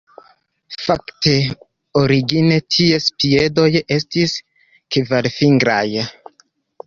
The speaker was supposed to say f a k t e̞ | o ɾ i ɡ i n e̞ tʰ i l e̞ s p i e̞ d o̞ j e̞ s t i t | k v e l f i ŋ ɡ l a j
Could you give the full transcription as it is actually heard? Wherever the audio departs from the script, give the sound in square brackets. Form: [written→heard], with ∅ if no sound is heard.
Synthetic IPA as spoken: f a k t e̞ | o ɾ i ɡ i n e̞ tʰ i [l→∅] e̞ s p i e̞ d o̞ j e̞ s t i [t→s] | k v [e→a] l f i ŋ ɡ [l→ɾ] a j